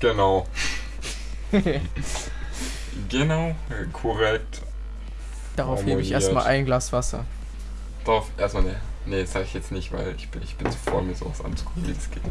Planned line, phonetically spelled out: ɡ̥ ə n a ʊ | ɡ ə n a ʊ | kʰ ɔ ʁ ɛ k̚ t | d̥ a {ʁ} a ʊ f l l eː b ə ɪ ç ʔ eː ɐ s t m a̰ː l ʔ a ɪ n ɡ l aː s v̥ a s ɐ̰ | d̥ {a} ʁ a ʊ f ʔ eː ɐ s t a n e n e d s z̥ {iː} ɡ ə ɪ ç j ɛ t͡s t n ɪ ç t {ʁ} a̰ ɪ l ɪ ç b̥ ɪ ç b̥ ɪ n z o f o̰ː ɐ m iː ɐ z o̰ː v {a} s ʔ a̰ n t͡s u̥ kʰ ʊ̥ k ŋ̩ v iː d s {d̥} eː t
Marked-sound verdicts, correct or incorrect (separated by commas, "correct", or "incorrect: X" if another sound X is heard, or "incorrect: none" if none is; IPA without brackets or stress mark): correct, correct, incorrect: aː, incorrect: v, correct, incorrect: ɡ̥